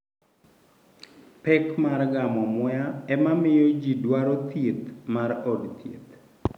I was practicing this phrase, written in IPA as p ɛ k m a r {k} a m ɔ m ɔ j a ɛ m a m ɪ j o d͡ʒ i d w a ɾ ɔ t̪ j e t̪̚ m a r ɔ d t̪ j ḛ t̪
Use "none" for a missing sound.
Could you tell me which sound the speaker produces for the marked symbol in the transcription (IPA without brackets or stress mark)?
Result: ɡ